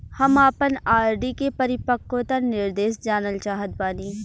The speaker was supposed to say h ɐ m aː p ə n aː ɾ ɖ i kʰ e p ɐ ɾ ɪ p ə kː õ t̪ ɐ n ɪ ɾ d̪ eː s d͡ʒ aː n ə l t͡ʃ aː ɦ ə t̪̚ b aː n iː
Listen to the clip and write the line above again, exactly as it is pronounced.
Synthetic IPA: h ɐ m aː p ə n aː ɾ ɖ i k e p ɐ ɾ ɪ p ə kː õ t̪ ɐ n ɪ ɾ d̪ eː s d͡ʒ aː n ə l t͡ʃ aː ɦ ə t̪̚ b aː n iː